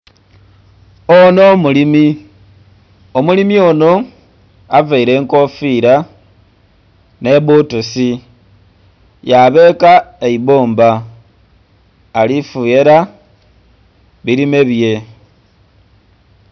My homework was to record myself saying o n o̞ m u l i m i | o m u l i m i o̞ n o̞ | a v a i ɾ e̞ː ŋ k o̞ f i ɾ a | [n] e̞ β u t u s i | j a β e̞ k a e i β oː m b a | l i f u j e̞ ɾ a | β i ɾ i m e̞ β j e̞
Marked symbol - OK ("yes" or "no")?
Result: yes